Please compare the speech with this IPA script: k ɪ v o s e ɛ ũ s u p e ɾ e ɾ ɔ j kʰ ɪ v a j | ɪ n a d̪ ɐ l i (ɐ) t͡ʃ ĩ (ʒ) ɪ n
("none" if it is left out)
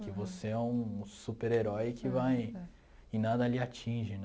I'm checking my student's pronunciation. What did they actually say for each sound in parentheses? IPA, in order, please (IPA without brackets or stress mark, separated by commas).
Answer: a, ʒ